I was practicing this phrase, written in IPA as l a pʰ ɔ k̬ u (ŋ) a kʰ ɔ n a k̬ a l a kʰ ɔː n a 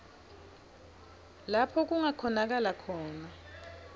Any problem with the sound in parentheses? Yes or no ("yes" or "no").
no